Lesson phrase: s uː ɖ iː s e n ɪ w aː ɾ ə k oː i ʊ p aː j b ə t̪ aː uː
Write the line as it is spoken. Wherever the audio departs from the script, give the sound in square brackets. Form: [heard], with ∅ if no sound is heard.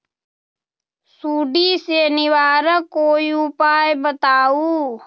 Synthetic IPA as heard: s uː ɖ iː s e n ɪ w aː ɾ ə k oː i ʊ p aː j b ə t̪ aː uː